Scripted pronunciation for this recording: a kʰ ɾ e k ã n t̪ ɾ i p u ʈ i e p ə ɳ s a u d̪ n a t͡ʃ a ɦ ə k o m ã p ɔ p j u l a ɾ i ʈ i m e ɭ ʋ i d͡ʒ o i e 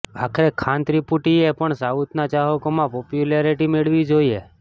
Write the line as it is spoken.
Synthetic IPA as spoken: a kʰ ɾ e kʰ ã n t̪ ɾ i p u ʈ i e p ə ɳ s a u t̪ n a t͡ʃ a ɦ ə k o m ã p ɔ p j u l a ɾ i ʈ i m e ɭ ʋ i d͡ʒ o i e